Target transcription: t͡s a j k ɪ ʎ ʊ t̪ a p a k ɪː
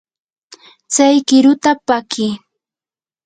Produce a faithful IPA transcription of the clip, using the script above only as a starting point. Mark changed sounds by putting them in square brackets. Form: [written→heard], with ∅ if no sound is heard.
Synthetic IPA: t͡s a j k ɪ [ʎ→ɾ] ʊ t̪ a p a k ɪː